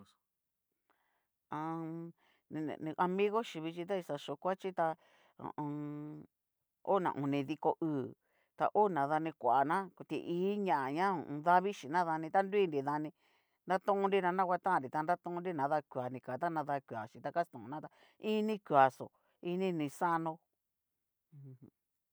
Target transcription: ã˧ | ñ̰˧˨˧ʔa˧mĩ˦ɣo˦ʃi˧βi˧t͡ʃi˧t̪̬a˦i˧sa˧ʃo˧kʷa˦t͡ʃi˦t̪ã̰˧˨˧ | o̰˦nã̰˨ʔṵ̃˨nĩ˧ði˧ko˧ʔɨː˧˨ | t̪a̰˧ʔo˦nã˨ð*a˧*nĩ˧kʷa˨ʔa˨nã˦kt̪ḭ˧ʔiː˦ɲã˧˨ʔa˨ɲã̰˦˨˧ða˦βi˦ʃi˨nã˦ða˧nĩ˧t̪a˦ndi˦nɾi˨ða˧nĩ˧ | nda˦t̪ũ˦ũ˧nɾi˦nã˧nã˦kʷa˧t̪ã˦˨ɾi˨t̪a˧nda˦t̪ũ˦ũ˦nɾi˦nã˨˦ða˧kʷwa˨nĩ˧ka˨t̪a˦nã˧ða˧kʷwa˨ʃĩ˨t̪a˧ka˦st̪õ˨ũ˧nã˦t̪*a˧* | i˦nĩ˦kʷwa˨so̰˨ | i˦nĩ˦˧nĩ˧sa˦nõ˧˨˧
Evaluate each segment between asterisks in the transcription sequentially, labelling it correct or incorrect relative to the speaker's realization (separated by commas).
correct, correct